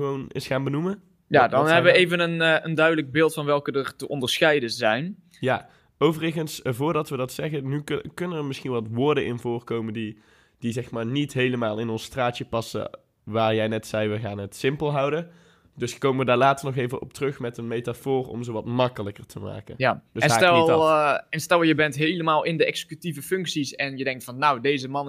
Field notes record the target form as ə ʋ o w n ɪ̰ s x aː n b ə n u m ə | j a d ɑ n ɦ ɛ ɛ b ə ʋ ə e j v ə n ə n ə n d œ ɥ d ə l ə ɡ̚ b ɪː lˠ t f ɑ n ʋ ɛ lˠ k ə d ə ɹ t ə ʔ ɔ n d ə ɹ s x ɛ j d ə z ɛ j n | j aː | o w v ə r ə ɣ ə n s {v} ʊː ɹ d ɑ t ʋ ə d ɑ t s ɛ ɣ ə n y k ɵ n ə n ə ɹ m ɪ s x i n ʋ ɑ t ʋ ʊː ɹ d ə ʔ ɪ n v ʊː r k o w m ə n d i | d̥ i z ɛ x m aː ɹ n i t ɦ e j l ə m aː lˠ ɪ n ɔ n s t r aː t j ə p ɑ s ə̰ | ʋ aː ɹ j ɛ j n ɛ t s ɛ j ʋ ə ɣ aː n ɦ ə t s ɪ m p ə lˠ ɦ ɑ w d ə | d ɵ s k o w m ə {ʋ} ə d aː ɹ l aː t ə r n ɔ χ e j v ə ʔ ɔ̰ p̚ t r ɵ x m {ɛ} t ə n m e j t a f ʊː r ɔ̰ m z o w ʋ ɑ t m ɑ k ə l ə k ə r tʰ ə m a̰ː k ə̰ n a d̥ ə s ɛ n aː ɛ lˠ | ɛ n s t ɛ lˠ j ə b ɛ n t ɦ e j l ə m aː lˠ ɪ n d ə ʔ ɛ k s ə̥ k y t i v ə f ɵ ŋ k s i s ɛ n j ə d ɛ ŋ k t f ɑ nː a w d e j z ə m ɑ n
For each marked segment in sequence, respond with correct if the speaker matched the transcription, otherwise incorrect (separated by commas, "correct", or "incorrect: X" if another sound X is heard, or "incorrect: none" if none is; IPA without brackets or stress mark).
correct, correct, correct